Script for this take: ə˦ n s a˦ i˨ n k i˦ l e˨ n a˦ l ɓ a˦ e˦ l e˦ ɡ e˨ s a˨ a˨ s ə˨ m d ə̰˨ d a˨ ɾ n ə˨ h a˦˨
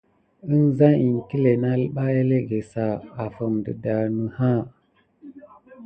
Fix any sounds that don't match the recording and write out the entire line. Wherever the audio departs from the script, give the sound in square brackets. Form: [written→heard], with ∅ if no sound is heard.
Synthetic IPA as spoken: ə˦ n [s→z] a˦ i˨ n k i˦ l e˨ n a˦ l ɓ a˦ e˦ l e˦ ɡ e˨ s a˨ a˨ [s→f] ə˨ m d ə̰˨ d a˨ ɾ n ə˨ h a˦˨